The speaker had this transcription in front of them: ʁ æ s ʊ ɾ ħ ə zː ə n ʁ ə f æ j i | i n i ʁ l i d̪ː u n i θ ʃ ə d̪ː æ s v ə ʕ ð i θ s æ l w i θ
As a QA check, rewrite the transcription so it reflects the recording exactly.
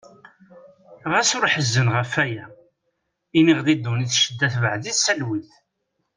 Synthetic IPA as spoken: ʁ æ s ʊ ɾ ħ ə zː ə n ʁ ə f æ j æ | i n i ʁ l i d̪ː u n i θ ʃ ə d̪ː æ θ v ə ʕ ð i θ s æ l w i θ